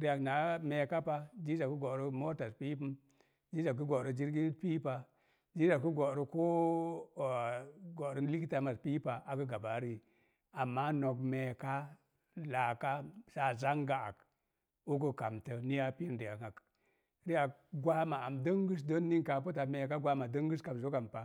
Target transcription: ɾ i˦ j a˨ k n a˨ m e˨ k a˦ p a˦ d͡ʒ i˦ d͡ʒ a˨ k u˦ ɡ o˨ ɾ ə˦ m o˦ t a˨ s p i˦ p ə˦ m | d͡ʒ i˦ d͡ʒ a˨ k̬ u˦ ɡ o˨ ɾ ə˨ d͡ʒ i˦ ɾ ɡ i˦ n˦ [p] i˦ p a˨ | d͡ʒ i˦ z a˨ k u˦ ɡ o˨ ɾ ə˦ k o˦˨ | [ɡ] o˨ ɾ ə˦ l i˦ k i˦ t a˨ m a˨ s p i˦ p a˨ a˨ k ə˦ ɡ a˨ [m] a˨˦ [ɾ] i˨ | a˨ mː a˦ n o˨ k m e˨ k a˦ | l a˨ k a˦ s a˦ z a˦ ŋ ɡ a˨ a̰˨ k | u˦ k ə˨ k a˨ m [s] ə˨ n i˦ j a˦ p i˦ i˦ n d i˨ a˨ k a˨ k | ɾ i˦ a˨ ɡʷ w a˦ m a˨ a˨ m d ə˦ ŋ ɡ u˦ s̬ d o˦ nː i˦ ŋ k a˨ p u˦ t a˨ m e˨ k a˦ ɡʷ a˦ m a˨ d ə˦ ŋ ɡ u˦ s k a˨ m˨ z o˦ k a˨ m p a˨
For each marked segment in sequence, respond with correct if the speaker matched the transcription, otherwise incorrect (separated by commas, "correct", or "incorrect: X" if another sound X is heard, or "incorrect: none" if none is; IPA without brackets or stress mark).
correct, correct, incorrect: b, correct, incorrect: t